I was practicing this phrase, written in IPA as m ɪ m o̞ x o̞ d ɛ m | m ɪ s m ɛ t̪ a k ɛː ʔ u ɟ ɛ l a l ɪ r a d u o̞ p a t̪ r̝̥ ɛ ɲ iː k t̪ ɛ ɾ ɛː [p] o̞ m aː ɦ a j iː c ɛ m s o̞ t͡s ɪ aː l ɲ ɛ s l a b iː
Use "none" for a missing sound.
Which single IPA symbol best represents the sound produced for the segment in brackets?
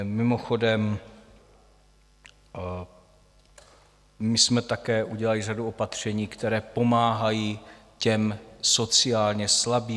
p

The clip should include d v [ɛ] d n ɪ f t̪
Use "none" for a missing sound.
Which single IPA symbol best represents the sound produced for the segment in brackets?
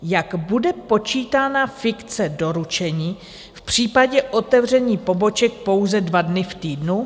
a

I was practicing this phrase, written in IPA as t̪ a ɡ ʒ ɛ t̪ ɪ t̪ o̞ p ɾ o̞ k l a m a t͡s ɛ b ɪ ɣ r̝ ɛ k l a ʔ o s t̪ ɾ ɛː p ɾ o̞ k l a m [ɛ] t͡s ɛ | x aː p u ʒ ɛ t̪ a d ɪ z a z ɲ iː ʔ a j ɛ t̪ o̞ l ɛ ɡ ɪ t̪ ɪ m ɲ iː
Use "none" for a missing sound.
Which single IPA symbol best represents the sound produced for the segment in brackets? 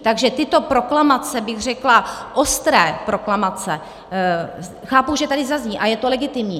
a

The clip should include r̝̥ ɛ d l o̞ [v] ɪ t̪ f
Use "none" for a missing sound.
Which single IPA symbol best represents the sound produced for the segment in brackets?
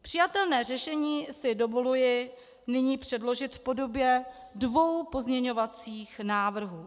ʒ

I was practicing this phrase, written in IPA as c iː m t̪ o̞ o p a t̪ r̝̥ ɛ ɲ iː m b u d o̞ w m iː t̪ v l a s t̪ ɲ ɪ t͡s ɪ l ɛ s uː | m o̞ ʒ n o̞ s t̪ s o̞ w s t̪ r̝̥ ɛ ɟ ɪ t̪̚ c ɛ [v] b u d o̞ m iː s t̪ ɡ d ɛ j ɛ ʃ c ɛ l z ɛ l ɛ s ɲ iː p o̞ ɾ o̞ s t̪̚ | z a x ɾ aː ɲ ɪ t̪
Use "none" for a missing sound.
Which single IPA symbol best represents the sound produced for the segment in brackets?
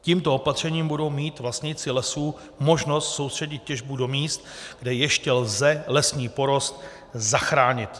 ʒ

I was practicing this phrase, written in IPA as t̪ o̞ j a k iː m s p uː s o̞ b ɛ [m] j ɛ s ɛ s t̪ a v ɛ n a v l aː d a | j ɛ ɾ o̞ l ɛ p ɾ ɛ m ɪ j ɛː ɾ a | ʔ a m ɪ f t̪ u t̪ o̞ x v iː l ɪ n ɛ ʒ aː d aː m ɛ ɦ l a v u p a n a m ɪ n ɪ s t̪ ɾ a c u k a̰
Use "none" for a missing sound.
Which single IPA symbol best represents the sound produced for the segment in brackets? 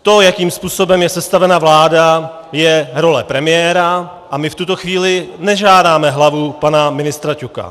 m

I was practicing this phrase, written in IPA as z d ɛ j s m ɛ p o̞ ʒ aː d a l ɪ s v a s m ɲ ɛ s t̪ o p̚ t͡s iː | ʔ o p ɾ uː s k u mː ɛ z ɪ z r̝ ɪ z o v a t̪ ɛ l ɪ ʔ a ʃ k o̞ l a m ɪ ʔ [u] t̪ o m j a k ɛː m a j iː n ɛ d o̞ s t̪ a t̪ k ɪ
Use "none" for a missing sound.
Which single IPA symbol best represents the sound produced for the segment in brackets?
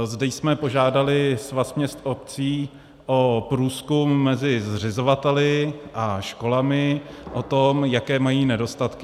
o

